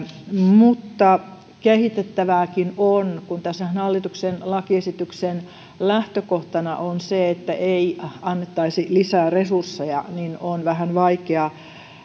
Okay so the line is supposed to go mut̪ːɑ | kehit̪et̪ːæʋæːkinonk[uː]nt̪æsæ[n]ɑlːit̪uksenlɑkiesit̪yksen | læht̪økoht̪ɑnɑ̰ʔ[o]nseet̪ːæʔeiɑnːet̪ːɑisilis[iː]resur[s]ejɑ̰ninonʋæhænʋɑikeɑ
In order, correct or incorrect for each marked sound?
incorrect: u, correct, correct, incorrect: æː, incorrect: sː

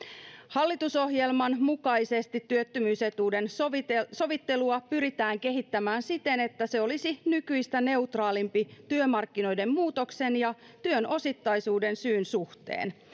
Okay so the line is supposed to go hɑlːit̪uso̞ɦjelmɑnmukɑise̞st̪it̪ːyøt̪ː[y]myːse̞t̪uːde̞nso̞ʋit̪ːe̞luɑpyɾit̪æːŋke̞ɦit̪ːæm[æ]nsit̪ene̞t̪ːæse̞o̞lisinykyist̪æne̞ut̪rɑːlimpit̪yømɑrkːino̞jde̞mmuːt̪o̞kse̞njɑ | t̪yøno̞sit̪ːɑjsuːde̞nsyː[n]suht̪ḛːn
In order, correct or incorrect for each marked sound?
correct, incorrect: æː, correct

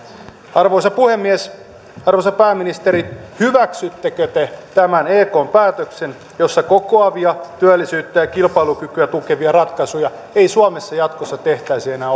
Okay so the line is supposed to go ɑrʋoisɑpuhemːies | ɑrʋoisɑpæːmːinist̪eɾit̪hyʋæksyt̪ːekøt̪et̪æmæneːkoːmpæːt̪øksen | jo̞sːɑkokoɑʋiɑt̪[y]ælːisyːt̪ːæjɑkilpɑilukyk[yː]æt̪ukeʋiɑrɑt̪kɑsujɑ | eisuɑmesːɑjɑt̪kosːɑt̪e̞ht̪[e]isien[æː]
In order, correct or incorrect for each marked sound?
correct, incorrect: y, incorrect: æ, correct

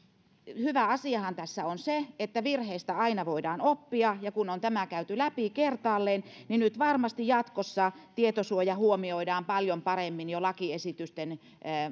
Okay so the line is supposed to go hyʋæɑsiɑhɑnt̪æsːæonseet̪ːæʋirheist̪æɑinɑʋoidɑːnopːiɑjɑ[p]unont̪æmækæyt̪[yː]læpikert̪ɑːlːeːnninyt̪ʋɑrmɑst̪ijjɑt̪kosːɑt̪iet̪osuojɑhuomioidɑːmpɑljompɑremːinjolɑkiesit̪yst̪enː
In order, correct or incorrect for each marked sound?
incorrect: k, incorrect: y

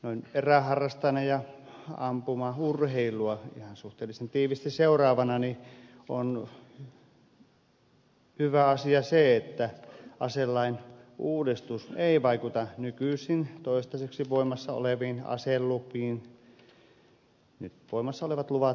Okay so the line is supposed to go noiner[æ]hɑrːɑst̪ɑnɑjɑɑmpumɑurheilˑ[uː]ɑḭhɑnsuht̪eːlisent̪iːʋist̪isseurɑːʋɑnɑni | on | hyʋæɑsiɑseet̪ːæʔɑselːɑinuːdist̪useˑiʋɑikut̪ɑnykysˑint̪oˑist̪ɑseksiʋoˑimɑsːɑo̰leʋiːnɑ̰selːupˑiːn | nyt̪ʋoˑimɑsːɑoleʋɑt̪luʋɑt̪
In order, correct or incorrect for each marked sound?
correct, incorrect: u

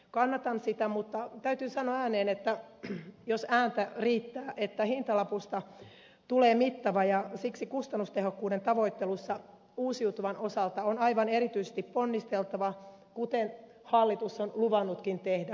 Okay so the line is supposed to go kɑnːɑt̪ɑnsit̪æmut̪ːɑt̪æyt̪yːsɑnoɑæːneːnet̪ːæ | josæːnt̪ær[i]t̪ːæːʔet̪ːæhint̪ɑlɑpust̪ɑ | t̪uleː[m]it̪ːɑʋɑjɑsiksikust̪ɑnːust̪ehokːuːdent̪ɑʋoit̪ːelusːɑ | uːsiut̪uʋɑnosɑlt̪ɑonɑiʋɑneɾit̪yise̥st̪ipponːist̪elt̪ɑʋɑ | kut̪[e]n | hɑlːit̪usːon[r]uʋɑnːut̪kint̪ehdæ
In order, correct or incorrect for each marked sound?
incorrect: iː, correct, correct, incorrect: l

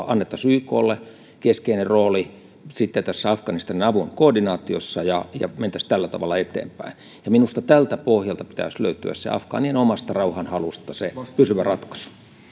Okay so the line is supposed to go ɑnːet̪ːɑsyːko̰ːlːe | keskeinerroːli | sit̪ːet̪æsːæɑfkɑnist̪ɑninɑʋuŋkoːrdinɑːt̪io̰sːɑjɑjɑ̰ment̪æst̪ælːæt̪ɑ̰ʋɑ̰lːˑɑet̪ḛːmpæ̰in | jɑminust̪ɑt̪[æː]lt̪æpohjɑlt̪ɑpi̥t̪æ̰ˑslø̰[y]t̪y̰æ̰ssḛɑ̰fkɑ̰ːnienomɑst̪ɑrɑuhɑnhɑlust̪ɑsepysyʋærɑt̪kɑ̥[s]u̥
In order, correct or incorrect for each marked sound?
incorrect: æ, correct, correct

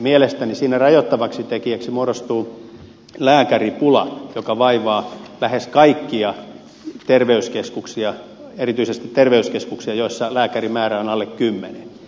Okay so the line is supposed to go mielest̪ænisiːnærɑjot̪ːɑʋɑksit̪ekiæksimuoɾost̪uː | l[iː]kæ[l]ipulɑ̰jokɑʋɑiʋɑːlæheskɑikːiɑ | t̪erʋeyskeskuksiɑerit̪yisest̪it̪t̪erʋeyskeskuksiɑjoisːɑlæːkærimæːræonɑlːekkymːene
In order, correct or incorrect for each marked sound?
incorrect: æː, incorrect: r

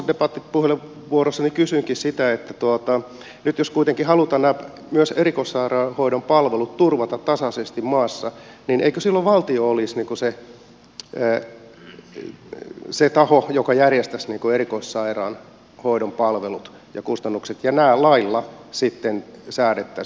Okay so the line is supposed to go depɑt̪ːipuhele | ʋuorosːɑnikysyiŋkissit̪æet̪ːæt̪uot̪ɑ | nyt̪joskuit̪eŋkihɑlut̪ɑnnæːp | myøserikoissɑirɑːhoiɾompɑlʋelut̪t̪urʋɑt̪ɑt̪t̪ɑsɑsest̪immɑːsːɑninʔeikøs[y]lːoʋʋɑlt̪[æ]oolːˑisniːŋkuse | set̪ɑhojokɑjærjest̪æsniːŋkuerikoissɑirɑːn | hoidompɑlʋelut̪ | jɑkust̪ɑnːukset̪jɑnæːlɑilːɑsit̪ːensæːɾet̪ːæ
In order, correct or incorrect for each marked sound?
incorrect: i, incorrect: i

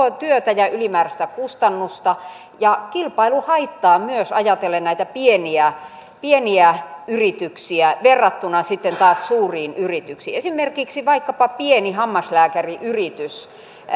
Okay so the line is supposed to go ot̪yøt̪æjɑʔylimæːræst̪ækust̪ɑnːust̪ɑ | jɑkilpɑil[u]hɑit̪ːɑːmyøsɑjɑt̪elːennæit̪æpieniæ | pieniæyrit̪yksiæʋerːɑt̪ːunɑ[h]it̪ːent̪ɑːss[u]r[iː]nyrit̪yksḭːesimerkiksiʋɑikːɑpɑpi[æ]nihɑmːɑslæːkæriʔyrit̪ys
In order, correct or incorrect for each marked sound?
correct, incorrect: s, incorrect: uː, correct, incorrect: e

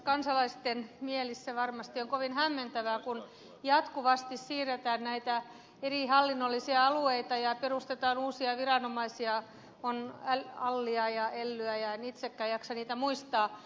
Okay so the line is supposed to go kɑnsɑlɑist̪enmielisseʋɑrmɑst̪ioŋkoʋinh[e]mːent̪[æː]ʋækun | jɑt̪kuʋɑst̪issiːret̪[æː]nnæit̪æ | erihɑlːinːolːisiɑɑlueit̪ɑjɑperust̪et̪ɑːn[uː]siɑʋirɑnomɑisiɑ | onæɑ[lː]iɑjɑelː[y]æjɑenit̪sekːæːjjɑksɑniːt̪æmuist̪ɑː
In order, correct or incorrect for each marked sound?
incorrect: æ, incorrect: æ, correct, correct, correct, correct

